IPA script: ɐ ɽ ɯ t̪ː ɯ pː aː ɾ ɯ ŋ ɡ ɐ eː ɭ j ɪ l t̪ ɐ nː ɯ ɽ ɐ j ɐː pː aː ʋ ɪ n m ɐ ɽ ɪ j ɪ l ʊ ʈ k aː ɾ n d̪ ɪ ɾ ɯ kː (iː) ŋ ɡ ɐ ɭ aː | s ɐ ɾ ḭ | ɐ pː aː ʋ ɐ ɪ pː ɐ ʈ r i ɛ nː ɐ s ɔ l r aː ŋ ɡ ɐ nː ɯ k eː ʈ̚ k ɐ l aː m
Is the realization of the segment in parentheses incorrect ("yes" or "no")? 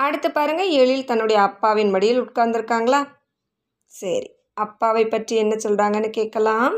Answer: yes